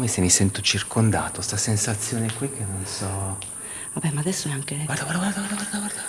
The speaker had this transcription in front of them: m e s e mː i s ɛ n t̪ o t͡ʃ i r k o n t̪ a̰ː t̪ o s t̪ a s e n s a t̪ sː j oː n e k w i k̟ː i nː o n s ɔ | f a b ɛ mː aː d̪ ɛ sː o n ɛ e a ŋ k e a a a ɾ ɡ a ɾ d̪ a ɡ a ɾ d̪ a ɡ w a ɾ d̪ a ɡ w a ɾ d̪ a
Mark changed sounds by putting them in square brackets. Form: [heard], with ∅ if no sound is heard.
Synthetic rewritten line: m e s e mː i s ɛ n t̪ o t͡ʃ i r k o n [d̪] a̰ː t̪ o s t̪ a s e n s a t̪ sː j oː n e k w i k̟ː [e] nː o n s ɔ | [v] a b ɛ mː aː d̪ ɛ sː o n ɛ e a ŋ k e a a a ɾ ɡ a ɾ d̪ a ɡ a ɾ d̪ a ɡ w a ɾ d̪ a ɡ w a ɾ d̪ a